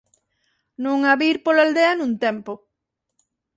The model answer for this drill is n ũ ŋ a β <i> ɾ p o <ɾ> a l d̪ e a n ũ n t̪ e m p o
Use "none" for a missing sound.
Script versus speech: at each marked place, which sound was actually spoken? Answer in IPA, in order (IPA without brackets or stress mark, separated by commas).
i, l